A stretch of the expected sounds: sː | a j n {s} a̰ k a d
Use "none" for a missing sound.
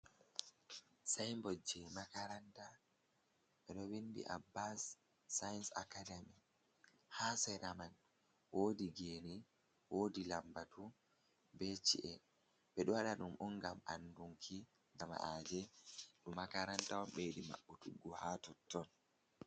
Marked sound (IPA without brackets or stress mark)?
s